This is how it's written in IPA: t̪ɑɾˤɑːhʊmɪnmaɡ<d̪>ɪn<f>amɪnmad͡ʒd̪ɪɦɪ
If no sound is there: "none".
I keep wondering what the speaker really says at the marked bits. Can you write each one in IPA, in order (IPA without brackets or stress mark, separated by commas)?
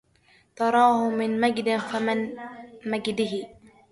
d̪, f